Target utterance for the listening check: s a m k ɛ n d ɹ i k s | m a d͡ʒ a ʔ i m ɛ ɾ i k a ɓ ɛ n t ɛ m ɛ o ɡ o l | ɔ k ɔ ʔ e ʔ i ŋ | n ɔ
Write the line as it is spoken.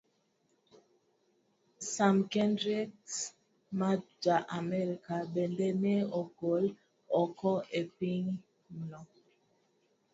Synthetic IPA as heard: s a m k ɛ n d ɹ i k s | m a d͡ʒ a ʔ a m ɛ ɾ i k a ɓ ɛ n d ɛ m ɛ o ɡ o l | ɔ k ɔ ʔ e p i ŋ | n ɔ